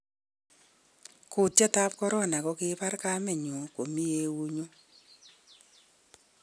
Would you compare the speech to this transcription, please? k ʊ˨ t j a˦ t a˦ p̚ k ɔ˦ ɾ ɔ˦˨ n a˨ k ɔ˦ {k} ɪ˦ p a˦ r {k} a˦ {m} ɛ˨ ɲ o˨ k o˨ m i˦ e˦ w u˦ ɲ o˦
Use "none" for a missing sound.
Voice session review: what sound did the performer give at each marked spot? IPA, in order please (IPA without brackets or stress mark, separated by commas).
k, k, m